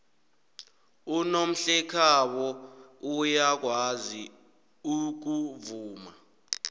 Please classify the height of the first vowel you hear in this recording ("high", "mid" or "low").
high